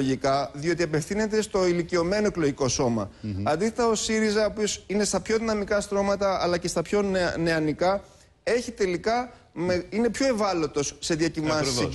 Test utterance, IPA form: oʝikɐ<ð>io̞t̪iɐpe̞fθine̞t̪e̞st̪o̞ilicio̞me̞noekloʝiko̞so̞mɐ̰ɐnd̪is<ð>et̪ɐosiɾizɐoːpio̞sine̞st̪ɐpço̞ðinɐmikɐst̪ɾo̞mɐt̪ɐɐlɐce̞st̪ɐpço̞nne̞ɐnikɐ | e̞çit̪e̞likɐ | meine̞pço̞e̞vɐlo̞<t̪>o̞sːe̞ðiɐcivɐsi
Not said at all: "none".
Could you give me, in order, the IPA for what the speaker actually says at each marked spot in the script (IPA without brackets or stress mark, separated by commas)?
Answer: ð, θ, t̪